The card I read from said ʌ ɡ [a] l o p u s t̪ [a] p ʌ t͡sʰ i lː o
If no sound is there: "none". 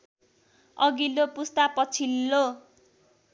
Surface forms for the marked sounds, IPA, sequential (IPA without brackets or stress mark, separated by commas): i, a